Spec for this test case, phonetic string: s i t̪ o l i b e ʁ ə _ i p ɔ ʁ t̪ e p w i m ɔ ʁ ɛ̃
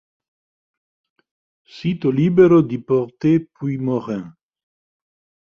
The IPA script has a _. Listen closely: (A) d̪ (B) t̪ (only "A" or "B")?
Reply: A